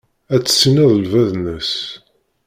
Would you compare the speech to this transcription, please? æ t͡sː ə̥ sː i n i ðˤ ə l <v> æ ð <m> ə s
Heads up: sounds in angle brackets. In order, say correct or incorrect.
correct, incorrect: n

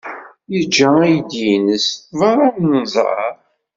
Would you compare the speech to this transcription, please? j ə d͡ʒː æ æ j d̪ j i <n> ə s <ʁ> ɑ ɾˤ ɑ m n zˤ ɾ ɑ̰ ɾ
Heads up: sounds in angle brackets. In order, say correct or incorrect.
correct, incorrect: v

